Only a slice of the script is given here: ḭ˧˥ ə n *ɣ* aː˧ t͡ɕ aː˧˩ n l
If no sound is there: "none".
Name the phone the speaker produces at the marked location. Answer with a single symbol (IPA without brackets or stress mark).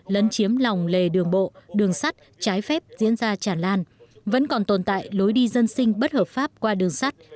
z